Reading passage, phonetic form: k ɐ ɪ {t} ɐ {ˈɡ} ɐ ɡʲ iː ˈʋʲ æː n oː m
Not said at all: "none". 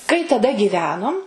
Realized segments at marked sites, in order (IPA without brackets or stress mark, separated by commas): t, d